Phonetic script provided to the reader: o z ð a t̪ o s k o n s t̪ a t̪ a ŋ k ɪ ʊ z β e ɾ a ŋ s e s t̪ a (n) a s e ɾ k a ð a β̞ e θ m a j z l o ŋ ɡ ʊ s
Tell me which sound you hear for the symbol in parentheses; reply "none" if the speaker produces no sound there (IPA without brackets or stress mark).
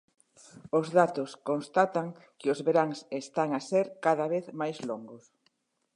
ŋ